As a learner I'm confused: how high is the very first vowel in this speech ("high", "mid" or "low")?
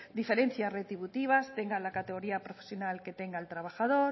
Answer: high